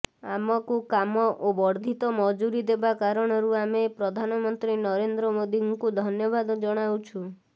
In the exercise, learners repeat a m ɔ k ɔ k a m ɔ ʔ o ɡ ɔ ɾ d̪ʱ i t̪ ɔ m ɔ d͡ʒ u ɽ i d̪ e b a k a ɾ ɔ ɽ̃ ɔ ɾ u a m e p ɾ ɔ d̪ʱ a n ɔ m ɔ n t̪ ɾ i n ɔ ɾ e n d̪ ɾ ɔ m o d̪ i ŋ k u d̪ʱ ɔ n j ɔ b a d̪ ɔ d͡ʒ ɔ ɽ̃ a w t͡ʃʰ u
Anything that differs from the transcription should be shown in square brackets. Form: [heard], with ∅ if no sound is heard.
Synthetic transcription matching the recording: a m ɔ k [u] k a m ɔ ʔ o [b] ɔ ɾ d̪ʱ i t̪ ɔ m ɔ d͡ʒ u [ɾ] i d̪ e b a k a ɾ ɔ ɽ̃ ɔ ɾ u a m e p ɾ ɔ d̪ʱ a n ɔ m ɔ n t̪ ɾ i n ɔ ɾ e n d̪ ɾ ɔ m o d̪ i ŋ k u d̪ʱ ɔ n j ɔ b a d̪ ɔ d͡ʒ ɔ ɽ̃ a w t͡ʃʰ u